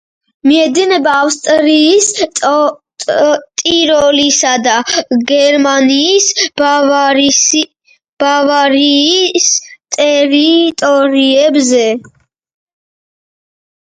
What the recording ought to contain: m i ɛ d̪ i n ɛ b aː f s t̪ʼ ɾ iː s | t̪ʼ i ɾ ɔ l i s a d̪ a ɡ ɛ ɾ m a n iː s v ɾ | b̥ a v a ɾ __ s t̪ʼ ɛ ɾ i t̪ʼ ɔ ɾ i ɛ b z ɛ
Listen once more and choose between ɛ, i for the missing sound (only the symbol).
i